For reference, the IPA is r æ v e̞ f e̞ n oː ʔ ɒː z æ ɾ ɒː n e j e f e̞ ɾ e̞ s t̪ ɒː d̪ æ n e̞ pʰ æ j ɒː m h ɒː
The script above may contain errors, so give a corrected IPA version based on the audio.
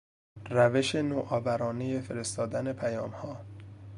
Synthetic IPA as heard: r æ v e̞ ʃ e̞ n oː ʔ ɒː v æ ɾ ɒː n e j e f e̞ ɾ e̞ s t̪ ɒː d̪ æ n e̞ pʰ æ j ɒː m h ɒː

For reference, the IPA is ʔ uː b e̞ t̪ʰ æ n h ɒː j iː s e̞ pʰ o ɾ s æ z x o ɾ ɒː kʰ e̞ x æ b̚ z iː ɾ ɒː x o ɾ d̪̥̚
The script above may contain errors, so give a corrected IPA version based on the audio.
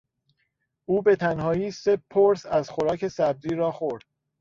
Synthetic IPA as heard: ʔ uː b e̞ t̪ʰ æ n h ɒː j iː s e̞ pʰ o ɾ s æ z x o ɾ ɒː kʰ e̞ s æ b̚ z iː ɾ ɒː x o ɾ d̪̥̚

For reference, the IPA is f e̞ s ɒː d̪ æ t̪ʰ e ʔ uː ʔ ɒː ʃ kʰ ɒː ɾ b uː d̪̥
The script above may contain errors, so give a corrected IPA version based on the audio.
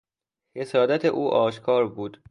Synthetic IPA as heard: h e̞ s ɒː d̪ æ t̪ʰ e ʔ uː ʔ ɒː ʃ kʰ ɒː ɾ b uː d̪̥

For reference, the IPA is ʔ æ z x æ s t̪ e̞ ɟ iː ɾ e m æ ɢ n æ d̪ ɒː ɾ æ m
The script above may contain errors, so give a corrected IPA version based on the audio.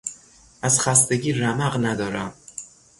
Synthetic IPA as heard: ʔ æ z x æ s t̪ e̞ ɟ iː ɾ æ m æ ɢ n æ d̪ ɒː ɾ æ m

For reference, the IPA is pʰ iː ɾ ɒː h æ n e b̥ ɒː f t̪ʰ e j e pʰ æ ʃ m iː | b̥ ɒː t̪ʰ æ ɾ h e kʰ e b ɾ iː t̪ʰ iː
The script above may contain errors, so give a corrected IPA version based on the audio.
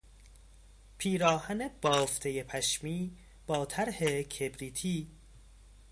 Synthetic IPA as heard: pʰ iː ɾ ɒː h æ n e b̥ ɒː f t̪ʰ e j e pʰ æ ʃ m iː | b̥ ɒː t̪ʰ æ ɾ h e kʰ e b ɾ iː t̪ʰ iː

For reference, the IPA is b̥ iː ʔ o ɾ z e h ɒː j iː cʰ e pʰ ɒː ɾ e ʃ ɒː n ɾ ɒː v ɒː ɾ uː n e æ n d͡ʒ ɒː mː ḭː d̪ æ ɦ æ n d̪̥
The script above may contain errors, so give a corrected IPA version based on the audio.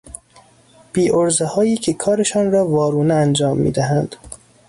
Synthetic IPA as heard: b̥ iː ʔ o ɾ z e h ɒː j iː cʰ e kʰ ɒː ɾ e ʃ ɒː n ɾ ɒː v ɒː ɾ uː n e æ n d͡ʒ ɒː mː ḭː d̪ æ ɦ æ n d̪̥

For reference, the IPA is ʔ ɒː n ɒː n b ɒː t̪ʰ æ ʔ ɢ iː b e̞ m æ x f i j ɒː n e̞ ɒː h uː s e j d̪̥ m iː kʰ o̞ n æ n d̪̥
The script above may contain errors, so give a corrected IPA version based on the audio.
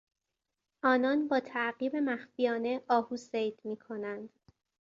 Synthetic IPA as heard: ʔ ɒː n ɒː n b ɒː t̪ʰ æ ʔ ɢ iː b e̞ m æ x f i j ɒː n e̞ ɒː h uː s e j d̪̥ m iː kʰ o̞ n æ n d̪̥

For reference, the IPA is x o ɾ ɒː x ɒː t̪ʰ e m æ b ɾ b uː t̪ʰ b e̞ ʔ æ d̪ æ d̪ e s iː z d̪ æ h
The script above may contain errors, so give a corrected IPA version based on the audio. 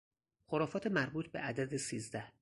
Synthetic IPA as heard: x o ɾ ɒː f ɒː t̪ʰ e m æ ɾ b uː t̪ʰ b e̞ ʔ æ d̪ æ d̪ e s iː z d̪ æ h

